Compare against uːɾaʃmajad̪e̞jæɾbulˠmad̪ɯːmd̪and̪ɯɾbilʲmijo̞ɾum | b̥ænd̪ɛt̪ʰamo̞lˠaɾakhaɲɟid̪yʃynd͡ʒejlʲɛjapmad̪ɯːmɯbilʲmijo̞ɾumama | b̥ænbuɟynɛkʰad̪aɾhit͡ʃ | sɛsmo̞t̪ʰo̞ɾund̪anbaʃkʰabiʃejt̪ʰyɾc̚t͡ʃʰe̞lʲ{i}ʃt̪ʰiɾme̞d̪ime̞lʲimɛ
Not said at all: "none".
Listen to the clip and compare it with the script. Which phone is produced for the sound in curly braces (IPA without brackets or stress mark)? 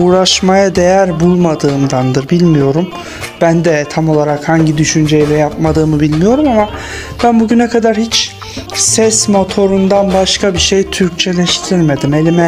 ɛ